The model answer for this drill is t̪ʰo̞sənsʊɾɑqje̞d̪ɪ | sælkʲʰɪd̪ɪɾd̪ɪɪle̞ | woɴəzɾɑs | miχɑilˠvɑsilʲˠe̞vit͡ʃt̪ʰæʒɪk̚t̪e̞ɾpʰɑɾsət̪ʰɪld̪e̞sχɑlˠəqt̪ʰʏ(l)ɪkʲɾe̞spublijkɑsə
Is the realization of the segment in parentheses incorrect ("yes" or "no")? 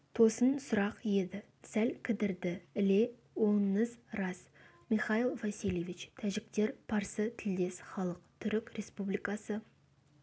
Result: yes